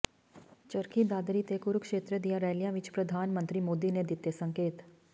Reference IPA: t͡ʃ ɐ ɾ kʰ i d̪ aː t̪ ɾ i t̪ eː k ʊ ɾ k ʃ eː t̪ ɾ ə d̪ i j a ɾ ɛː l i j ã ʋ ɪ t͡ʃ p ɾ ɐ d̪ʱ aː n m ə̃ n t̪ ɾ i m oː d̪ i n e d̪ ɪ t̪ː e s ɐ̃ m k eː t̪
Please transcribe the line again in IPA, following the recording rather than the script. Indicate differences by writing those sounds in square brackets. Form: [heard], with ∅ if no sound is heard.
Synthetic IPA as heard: t͡ʃ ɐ ɾ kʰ i d̪ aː [d̪] ɾ i t̪ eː k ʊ ɾ k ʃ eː t̪ ɾ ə d̪ i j a ɾ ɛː l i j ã ʋ ɪ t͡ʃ p ɾ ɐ d̪ʱ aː n m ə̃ n t̪ ɾ i m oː d̪ i n e d̪ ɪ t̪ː e s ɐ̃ [ŋ] k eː t̪